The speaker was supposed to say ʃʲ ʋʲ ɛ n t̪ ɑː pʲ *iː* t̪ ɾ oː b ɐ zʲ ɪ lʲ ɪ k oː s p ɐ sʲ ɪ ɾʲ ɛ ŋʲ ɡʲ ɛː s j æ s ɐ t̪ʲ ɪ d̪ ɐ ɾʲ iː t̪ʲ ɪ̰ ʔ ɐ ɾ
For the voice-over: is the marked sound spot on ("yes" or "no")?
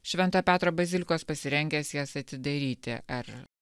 no